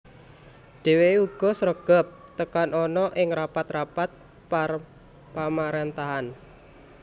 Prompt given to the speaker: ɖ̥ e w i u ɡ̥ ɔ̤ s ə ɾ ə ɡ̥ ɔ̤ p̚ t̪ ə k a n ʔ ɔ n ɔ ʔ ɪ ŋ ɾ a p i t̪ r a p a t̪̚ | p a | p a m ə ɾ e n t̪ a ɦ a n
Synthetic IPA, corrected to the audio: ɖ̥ e w e u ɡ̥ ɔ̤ s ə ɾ ə ɡ̥ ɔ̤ p̚ t̪ ə k a n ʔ ɔ n ɔ ʔ ɪ ŋ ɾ a p a t̪ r a p a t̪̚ | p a | p a m a ɾ e n t̪ a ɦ a n